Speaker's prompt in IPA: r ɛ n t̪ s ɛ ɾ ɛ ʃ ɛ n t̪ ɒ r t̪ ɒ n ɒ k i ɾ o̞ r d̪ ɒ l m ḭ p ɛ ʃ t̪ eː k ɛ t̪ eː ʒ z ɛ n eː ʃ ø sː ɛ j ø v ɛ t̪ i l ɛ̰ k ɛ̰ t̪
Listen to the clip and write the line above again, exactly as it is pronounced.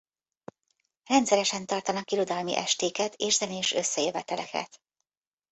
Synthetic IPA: r ɛ n t̪ s ɛ ɾ ɛ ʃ ɛ n t̪ ɒ r t̪ ɒ n ɒ k i ɾ o̞ d̪ ɒ l m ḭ ʔ ɛ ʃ t̪ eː k ɛ t̪ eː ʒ z ɛ n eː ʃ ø sː ɛ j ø v ɛ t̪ ɛ l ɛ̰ k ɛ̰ t̪